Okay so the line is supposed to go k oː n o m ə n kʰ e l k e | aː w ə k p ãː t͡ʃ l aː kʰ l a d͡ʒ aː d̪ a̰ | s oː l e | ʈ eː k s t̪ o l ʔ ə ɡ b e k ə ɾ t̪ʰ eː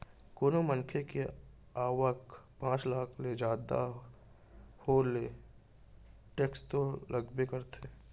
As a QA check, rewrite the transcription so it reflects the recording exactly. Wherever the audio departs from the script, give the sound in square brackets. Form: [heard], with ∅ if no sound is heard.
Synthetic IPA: k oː n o m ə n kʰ e [∅] k e | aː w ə k p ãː t͡ʃ l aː kʰ l [e] d͡ʒ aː d̪ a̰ | [h] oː l e | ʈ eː k s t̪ o l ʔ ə ɡ b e k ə ɾ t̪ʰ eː

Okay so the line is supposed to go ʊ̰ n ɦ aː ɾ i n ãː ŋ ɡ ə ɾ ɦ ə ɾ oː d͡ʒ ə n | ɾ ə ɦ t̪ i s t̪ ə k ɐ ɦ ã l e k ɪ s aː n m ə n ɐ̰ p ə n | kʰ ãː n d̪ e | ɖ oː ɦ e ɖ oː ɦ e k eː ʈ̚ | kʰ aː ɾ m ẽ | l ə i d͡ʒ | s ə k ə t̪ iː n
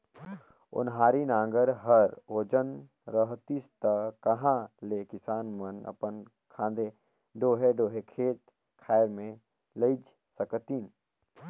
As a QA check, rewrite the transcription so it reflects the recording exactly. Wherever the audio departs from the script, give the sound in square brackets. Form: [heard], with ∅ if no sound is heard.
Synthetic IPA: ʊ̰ n ɦ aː ɾ i n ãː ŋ ɡ ə ɾ ɦ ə ɾ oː d͡ʒ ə n | ɾ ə ɦ t̪ i s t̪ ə k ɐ ɦ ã l e k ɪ s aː n m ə n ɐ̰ p ə n | kʰ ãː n d̪ e | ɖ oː ɦ e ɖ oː ɦ e [kʰ] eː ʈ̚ | kʰ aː ɾ m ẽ | l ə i d͡ʒ | s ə k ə t̪ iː n

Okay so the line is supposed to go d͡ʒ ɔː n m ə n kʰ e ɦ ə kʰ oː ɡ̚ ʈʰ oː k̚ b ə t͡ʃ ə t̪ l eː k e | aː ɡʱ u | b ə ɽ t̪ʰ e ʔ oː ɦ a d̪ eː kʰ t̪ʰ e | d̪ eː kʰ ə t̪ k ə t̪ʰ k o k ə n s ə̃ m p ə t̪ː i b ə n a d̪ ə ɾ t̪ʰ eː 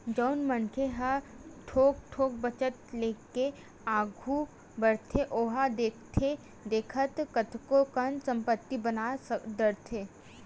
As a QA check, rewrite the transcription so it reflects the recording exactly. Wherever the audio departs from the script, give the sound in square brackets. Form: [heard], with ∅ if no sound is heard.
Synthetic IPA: d͡ʒ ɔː n m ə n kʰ e ɦ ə [ʈʰ] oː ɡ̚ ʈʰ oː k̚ b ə t͡ʃ ə t̪ l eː k e | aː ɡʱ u | b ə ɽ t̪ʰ e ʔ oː ɦ a d̪ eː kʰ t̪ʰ e | d̪ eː kʰ ə t̪ k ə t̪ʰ k o k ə n s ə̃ m p ə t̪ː i b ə n a d̪ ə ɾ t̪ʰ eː

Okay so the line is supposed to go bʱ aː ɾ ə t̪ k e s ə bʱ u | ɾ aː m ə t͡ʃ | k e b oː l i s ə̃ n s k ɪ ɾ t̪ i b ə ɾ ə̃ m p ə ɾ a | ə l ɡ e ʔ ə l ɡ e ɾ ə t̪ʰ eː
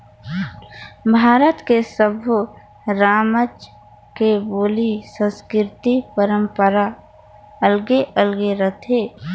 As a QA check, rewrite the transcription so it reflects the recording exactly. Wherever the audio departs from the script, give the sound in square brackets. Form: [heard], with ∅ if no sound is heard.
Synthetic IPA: bʱ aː ɾ ə t̪ k e s ə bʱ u | ɾ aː m ə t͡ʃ | k e b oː l i s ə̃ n s k ɪ ɾ t̪ i [p] ə ɾ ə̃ m p ə ɾ a | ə l ɡ e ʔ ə l ɡ e ɾ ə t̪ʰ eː

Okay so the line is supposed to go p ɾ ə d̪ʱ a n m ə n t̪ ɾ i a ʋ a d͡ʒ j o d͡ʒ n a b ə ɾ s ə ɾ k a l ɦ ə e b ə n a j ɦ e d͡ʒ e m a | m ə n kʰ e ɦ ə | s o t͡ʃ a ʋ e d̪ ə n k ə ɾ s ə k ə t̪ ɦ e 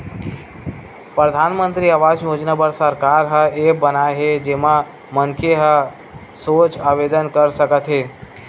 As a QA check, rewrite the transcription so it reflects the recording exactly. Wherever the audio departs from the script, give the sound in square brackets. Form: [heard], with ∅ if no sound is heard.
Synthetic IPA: p ɾ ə d̪ʱ a n m ə n t̪ ɾ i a ʋ a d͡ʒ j o d͡ʒ n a b ə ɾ s ə ɾ k a [ɾ] ɦ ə e b ə n a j ɦ e d͡ʒ e m a | m ə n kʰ e ɦ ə | s o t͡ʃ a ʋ e d̪ ə n k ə ɾ s ə k ə t̪ ɦ e

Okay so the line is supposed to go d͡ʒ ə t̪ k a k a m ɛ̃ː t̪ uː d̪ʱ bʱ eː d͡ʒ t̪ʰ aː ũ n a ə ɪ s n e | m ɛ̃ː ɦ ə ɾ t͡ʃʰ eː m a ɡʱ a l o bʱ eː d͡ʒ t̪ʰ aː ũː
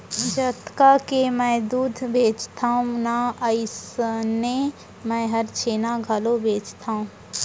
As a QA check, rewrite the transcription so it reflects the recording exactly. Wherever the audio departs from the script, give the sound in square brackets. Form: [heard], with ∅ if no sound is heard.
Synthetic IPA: d͡ʒ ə t̪ k a k [e] m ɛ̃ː [d̪] uː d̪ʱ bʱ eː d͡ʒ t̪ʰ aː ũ n a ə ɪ s n e | m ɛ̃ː ɦ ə ɾ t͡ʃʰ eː [n] a ɡʱ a l o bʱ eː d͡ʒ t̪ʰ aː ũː

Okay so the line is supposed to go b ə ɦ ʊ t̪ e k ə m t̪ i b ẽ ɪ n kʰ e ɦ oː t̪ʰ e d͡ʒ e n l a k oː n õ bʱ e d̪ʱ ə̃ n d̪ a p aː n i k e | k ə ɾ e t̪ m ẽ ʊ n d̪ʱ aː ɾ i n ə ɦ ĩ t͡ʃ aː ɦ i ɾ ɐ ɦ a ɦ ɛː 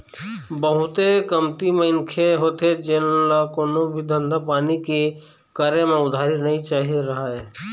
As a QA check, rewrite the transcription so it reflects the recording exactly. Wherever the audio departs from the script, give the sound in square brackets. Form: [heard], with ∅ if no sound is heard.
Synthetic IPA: b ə ɦ ʊ t̪ e k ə m t̪ i [m] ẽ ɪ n kʰ e ɦ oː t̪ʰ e d͡ʒ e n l a k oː n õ bʱ [i] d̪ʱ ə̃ n d̪ a p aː n i k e | k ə ɾ e [∅] m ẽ ʊ [∅] d̪ʱ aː ɾ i n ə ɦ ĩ t͡ʃ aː ɦ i ɾ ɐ ɦ a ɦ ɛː

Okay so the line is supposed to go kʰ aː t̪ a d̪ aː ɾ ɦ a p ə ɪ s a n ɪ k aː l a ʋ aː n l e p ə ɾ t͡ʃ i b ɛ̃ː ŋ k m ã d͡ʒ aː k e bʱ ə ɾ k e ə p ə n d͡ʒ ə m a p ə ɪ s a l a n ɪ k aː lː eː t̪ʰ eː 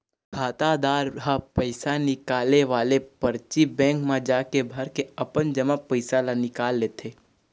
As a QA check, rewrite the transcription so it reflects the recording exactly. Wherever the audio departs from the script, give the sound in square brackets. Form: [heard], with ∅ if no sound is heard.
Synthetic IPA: kʰ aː t̪ a d̪ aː ɾ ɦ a p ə ɪ s a n ɪ k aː l [e] ʋ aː [∅] l e p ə ɾ t͡ʃ i b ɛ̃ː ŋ k m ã d͡ʒ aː k e bʱ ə ɾ k e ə p ə n d͡ʒ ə m a p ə ɪ s a l a n ɪ k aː lː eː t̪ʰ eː

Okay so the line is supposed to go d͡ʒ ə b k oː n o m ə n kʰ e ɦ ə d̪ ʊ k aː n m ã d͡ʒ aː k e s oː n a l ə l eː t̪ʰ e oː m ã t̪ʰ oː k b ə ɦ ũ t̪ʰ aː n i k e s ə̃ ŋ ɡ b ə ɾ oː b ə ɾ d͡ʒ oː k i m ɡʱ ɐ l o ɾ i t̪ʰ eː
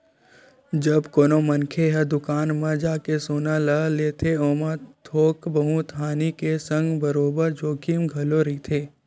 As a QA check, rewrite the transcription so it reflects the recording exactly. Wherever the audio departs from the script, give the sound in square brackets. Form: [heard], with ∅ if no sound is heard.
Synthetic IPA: d͡ʒ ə b k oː n o m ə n kʰ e ɦ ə d̪ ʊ k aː n m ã d͡ʒ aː k e s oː n a l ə l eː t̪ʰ e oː m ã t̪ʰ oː k b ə ɦ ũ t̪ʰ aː n i k e s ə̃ ŋ ɡ b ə ɾ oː b ə ɾ d͡ʒ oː k i m ɡʱ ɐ l o ɾ i t̪ʰ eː

